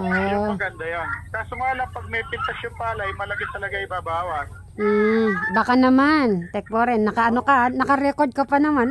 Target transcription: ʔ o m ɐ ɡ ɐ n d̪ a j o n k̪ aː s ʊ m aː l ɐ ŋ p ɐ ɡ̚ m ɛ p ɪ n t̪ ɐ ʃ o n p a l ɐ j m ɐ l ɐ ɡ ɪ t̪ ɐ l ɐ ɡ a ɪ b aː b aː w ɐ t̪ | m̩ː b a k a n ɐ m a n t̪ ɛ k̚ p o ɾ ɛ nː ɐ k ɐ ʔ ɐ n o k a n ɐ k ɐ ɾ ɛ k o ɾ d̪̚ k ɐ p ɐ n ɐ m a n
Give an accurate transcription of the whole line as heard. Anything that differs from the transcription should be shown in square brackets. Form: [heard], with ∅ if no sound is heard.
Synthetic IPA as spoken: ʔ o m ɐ ɡ ɐ n d̪ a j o n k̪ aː s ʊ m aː l ɐ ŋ p ɐ ɡ̚ m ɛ p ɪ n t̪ ɐ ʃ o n p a l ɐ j m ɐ l ɐ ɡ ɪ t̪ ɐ l ɐ ɡ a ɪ b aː b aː w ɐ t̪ | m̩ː b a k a n ɐ m a n t̪ ɛ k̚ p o ɾ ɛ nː ɐ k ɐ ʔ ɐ n o k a n ɐ k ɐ ɾ ɛ k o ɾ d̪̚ k ɐ p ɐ n ɐ m a n